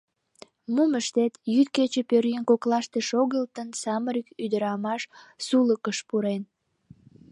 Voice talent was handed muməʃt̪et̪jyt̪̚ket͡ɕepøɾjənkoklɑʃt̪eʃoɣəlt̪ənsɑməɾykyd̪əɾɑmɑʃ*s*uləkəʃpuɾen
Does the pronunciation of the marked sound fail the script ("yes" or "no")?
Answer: no